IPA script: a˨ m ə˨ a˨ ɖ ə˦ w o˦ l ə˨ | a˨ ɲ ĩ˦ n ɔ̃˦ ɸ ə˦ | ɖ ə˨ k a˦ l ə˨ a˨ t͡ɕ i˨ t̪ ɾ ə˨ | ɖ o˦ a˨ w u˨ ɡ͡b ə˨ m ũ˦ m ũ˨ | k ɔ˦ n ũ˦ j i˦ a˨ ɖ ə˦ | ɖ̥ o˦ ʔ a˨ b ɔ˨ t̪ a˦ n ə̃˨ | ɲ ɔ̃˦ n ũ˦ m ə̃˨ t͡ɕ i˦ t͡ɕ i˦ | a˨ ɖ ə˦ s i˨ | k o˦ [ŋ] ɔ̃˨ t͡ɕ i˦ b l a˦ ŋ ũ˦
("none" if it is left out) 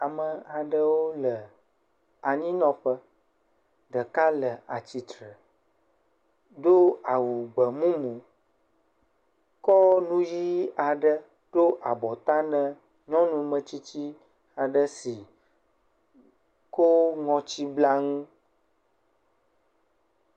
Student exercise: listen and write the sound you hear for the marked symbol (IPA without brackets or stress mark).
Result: ŋ